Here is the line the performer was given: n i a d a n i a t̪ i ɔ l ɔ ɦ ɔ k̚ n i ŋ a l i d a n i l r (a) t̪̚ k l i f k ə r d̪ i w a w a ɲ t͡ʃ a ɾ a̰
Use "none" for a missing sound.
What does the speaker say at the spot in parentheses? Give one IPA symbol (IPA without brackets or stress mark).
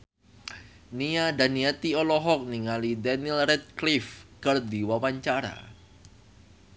ɛ